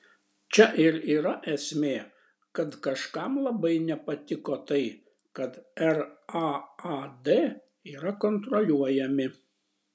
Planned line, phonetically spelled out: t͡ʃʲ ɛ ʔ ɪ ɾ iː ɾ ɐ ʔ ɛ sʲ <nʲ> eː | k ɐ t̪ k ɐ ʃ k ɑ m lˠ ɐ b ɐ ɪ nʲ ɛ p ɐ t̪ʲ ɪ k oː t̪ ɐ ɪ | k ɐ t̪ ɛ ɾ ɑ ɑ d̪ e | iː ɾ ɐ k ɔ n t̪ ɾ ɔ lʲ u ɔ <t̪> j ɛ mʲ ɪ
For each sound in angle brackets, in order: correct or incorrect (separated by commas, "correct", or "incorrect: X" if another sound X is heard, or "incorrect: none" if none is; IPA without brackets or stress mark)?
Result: incorrect: mʲ, incorrect: none